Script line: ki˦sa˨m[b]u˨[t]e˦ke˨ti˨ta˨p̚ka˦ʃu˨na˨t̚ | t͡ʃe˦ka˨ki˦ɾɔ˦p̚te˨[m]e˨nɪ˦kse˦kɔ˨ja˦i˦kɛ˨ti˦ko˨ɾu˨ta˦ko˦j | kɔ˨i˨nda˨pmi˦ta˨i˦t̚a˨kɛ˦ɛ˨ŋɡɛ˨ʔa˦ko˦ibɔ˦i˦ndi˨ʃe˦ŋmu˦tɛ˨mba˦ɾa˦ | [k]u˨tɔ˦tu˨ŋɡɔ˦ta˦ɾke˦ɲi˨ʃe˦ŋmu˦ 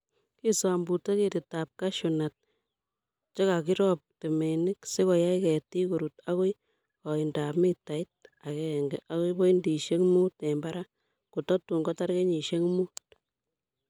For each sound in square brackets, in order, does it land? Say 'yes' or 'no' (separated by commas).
yes, yes, yes, yes